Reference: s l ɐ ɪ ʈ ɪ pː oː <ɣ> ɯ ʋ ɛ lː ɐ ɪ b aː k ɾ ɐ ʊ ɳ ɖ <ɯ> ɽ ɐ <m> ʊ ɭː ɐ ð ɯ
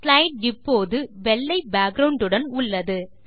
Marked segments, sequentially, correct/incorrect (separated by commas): incorrect, correct, incorrect